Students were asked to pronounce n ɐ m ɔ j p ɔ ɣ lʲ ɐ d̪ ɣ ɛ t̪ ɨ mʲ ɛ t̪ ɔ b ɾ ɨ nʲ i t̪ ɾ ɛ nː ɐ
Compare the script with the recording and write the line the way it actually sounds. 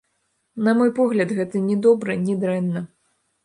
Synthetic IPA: n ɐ m ɔ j p ɔ ɣ lʲ ɐ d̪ ɣ ɛ t̪ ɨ nʲ ɛ d̪ ɔ b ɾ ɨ nʲ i d̪ ɾ ɛ nː ɐ